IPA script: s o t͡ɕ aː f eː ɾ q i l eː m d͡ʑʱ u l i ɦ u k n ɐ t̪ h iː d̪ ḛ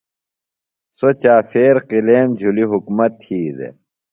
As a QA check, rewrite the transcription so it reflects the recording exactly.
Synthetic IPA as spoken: s o t͡ɕ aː f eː ɾ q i l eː m d͡ʑʱ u l i ɦ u k m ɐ t̪ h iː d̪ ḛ